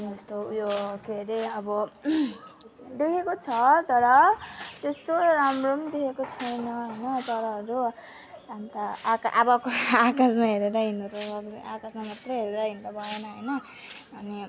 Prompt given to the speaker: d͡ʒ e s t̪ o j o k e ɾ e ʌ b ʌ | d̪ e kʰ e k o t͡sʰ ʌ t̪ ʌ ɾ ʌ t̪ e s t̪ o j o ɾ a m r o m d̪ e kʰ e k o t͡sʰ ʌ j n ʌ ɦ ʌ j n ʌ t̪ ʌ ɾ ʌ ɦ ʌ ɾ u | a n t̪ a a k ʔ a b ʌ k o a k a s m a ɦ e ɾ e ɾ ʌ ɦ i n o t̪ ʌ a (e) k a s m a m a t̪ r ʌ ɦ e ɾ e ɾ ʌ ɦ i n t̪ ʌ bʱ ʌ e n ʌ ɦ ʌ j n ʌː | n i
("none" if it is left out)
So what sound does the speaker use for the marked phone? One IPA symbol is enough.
a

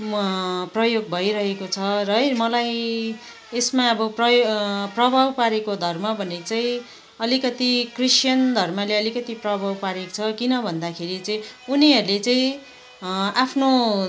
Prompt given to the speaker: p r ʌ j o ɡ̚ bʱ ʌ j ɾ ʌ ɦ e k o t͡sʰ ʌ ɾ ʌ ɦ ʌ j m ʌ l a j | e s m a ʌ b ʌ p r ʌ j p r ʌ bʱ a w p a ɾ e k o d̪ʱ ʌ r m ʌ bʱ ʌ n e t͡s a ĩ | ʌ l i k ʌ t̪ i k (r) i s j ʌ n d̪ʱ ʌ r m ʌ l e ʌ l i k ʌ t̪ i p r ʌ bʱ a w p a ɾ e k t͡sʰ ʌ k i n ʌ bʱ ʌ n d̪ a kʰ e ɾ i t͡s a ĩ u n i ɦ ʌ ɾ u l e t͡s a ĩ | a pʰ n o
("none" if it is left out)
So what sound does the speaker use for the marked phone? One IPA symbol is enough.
r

